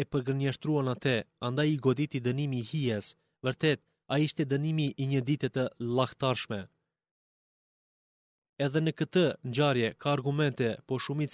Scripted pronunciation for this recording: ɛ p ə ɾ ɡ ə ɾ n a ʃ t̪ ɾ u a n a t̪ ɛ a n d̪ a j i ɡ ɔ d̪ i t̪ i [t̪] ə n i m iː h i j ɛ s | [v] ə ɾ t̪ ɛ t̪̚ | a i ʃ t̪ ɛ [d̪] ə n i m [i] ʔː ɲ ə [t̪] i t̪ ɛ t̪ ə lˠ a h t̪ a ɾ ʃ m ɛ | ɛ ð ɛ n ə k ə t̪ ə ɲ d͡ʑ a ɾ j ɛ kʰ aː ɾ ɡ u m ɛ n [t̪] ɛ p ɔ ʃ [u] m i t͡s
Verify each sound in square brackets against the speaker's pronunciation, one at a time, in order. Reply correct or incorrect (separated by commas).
incorrect, correct, correct, correct, incorrect, correct, correct